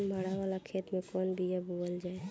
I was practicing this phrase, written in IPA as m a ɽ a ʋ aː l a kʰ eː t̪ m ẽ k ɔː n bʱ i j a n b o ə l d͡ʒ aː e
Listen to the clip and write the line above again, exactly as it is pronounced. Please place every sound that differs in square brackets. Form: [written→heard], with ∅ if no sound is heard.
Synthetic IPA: m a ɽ a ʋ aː l a kʰ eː t̪ m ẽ k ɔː n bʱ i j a [n→∅] b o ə l d͡ʒ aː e